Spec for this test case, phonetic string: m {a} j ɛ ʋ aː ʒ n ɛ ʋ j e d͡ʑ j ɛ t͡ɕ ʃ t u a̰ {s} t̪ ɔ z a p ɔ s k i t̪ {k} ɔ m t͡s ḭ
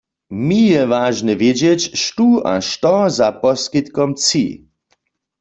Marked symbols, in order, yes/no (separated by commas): no, no, yes